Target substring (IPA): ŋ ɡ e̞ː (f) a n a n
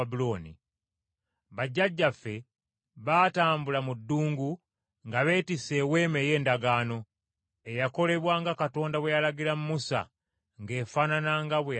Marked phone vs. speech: correct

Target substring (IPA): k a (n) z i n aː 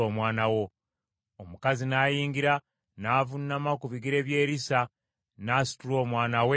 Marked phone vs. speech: incorrect: none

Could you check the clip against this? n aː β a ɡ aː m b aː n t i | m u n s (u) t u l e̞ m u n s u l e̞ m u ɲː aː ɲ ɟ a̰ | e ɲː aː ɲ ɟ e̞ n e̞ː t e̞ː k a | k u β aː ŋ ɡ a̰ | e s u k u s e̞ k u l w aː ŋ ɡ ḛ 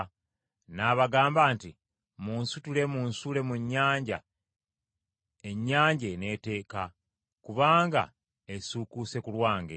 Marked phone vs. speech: correct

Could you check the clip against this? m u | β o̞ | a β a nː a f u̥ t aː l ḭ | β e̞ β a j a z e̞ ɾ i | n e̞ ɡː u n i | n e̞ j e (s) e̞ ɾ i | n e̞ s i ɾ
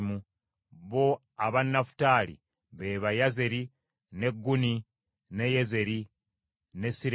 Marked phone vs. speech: incorrect: z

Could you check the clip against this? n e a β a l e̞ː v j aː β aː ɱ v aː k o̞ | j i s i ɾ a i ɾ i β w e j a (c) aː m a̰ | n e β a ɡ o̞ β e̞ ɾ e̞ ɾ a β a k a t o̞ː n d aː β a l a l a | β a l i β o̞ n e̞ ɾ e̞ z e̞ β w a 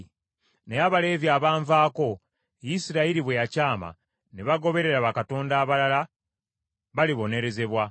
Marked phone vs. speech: correct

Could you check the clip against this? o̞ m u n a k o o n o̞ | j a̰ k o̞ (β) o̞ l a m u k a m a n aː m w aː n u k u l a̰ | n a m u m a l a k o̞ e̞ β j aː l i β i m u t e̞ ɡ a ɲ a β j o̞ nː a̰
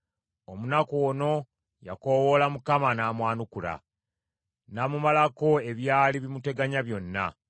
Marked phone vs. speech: incorrect: w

